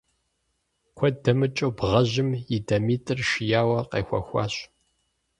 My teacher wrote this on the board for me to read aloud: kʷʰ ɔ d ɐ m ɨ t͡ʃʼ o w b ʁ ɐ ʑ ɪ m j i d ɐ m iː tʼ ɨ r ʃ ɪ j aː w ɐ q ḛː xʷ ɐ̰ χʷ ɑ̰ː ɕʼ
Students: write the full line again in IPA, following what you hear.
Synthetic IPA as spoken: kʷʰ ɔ d ɐ m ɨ t͡ʃʼ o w b ʁ ɐ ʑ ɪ m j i d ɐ m iː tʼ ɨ r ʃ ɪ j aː w ɐ q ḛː xʷ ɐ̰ xʷ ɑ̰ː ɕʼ